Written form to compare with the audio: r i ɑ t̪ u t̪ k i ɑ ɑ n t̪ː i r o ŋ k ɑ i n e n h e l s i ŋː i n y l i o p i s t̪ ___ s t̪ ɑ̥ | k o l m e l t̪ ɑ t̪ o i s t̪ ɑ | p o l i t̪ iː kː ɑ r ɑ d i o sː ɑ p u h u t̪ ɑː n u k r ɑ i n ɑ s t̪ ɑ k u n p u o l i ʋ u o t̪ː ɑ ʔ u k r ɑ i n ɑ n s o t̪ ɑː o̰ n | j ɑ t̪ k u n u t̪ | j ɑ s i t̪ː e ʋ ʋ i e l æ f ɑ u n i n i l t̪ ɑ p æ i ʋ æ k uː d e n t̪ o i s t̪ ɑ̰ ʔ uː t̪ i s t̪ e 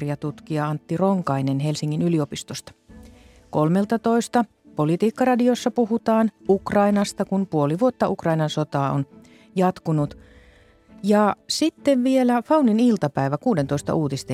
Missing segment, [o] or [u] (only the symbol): o